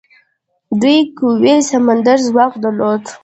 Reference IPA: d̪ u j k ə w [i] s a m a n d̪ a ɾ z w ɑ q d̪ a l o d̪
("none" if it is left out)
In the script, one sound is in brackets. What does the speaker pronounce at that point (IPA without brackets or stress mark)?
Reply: e